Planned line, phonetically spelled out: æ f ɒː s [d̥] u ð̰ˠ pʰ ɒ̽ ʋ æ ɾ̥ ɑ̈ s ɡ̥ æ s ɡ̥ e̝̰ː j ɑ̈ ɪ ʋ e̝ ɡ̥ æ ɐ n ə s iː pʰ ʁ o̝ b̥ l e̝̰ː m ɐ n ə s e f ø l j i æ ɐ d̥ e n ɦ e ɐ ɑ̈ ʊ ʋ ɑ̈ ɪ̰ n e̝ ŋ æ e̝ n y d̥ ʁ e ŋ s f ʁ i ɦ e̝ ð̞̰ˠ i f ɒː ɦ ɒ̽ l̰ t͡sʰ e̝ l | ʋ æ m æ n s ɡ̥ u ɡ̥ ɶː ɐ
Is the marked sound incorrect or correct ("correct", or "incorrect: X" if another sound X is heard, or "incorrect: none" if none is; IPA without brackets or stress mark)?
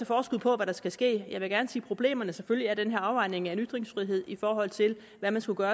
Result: incorrect: ɡ̥